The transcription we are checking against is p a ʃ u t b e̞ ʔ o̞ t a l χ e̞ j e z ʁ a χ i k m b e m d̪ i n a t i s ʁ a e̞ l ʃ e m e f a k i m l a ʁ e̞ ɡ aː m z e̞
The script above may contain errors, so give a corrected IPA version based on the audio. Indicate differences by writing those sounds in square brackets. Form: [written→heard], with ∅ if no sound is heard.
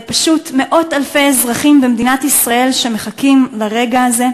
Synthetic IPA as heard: p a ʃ u t [b→m] e̞ ʔ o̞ t a l [χ→f] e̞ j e z ʁ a χ i [k→∅] m b e m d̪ i n a t i s ʁ a e̞ l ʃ e m e [f→χ] a k i m l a ʁ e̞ ɡ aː [m→∅] z e̞